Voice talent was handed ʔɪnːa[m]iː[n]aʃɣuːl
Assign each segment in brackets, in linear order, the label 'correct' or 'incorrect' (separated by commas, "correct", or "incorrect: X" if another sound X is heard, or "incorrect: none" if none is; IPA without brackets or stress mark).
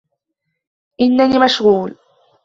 incorrect: n, incorrect: m